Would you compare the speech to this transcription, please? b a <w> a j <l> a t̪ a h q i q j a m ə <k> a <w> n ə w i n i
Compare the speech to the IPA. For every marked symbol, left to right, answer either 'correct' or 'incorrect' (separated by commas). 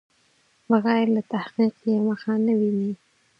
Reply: incorrect, correct, incorrect, incorrect